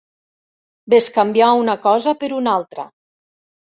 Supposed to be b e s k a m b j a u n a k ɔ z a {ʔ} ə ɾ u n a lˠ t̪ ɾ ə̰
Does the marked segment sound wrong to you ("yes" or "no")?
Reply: yes